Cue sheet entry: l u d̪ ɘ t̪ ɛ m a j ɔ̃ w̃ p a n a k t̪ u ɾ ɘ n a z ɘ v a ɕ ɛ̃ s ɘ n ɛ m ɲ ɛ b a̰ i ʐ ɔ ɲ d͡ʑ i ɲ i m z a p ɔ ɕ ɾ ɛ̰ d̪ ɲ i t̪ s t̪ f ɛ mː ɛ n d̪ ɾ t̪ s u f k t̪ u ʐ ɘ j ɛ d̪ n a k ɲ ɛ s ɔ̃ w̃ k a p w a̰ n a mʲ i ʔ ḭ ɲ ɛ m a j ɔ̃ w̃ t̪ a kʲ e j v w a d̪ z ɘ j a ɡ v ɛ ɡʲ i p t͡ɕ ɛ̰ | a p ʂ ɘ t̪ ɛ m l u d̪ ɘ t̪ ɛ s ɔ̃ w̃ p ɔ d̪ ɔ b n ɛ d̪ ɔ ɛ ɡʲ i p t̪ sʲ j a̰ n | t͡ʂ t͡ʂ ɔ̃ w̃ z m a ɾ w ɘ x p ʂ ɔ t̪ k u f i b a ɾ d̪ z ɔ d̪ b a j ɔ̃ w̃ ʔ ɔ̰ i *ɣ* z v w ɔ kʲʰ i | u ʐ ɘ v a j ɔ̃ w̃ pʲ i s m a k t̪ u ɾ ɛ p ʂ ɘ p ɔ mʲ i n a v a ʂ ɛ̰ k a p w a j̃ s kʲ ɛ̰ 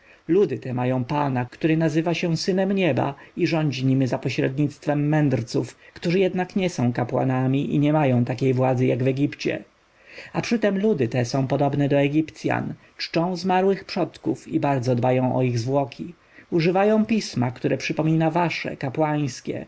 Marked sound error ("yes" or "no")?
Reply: no